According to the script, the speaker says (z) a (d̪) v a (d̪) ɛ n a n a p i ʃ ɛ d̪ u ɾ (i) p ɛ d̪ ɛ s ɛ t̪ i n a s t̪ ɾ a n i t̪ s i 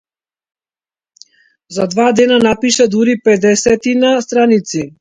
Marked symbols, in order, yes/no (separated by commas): yes, yes, yes, yes